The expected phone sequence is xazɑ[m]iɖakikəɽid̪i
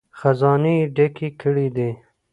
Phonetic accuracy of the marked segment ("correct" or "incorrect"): incorrect